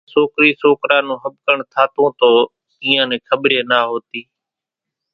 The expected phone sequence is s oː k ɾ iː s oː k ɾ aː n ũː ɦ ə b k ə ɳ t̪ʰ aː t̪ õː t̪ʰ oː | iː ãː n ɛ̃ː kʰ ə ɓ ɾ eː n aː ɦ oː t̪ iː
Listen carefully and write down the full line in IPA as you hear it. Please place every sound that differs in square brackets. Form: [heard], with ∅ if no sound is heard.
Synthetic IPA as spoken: s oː k ɾ iː s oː k ɾ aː n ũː ɦ ə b k ə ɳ t̪ʰ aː t̪ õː [t̪] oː | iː ãː n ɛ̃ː kʰ ə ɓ ɾ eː n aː ɦ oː t̪ iː